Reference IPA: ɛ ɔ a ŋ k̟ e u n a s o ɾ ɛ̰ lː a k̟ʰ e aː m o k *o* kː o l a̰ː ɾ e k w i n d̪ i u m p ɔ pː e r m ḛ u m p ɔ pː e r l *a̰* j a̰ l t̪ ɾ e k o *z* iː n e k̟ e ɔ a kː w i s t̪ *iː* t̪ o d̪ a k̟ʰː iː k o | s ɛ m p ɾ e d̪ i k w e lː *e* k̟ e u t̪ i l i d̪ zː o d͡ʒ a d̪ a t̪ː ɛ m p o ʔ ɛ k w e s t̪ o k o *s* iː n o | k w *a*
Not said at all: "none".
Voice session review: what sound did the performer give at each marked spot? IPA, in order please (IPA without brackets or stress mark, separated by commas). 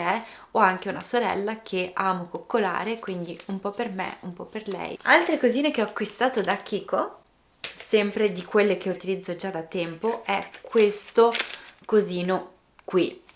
o, ɛ̰, z, aː, e, z, i